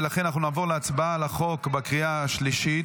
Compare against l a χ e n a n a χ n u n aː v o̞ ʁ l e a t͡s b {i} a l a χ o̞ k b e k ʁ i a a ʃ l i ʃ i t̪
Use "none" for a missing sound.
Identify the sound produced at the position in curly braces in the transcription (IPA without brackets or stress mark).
a